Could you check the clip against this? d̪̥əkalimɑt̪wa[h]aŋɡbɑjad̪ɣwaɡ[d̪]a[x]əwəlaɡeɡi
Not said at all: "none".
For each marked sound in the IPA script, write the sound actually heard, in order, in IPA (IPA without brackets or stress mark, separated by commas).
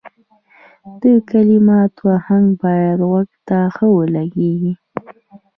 h, t̪, x